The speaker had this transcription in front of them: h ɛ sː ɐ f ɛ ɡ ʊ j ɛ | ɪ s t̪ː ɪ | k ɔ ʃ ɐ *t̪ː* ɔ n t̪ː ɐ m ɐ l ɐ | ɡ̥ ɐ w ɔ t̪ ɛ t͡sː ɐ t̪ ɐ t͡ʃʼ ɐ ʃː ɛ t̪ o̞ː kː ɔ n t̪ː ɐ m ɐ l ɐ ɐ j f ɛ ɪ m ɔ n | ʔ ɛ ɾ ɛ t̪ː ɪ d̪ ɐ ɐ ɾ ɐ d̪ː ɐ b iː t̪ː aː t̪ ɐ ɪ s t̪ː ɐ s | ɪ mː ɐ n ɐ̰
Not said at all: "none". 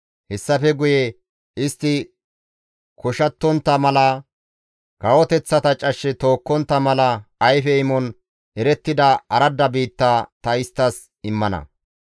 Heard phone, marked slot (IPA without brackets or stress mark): t̪ː